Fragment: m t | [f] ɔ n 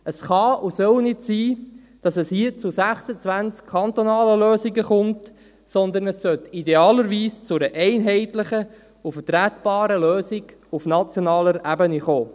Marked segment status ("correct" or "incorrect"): incorrect